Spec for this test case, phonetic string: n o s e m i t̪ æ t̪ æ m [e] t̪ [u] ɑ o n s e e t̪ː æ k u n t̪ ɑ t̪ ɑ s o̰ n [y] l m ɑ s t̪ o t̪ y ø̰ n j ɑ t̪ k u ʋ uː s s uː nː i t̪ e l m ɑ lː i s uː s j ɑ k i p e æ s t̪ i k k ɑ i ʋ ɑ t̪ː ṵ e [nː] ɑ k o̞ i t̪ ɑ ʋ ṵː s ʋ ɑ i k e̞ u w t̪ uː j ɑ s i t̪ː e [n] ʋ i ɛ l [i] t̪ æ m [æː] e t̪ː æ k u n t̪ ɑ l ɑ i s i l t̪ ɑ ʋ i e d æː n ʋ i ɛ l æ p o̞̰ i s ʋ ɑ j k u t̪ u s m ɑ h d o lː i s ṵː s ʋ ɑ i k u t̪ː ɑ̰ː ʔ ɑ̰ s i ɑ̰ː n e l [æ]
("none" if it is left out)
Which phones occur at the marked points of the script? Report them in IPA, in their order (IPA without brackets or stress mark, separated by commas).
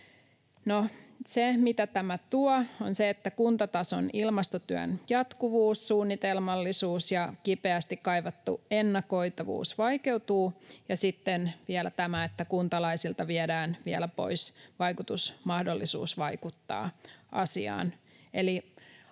æ, u, i, nː, n, æ, æ, i